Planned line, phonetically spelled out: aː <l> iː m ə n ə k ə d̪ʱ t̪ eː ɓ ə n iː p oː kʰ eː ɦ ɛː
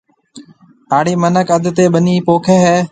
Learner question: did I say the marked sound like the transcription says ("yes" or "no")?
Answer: no